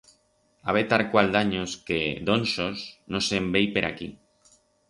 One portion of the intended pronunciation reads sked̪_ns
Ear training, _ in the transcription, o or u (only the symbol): o